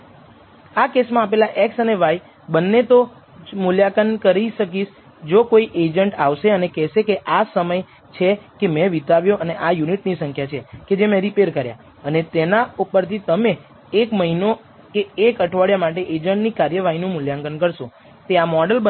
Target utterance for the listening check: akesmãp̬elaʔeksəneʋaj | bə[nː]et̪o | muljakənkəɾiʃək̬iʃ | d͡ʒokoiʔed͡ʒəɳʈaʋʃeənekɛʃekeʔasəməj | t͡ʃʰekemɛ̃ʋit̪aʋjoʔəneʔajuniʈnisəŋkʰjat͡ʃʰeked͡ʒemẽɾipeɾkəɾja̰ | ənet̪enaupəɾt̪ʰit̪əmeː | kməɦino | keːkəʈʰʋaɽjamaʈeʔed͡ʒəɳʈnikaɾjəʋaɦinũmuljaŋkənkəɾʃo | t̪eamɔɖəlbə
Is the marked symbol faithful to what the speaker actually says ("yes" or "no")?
yes